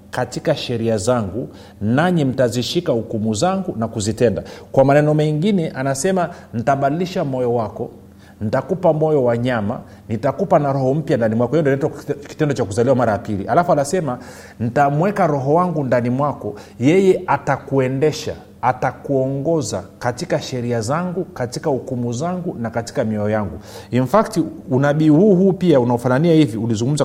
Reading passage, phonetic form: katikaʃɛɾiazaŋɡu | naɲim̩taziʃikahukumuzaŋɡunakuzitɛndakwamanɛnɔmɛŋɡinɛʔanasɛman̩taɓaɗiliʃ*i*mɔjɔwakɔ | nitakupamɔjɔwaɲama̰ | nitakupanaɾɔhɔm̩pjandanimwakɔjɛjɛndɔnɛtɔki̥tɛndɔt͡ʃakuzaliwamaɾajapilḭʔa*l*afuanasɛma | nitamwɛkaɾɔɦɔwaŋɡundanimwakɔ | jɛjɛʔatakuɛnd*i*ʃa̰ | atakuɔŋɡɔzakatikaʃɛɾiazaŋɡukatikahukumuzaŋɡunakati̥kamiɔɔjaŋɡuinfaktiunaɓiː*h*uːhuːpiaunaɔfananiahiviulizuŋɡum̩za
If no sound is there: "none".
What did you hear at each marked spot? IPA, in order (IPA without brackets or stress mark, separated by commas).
a, l, ɛ, h